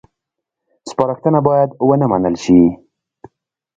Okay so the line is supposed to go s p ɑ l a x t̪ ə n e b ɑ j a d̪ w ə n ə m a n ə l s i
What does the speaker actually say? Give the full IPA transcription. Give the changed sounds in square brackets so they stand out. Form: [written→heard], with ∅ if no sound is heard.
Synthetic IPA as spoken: s p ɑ [l→ɾ] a x t̪ ə n [e→a] b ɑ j a d̪ w ə n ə m a n ə l [s→ʃ] i